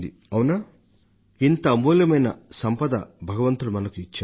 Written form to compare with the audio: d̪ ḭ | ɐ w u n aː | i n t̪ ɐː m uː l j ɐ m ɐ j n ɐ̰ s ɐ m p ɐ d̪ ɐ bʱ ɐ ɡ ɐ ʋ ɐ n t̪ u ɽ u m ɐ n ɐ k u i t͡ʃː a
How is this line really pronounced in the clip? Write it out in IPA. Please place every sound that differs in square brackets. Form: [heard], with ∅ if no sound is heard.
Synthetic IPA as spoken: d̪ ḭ | ɐ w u n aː | i n t̪ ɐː m uː l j ɐ m ɐ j n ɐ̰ s ɐ m p ɐ d̪ ɐ bʱ ɐ ɡ ɐ ʋ ɐ n t̪ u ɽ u m ɐ n ɐ k u i t͡ʃː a